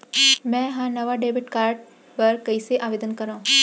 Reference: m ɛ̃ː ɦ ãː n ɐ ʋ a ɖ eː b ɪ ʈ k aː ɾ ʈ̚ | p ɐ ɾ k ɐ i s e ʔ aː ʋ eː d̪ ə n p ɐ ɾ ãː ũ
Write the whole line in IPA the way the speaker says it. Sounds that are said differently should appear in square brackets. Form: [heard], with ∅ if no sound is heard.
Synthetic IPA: m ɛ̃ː ɦ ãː n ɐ ʋ a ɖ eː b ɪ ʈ k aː ɾ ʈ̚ | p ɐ ɾ k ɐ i s e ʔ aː ʋ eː d̪ ə n [k] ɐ ɾ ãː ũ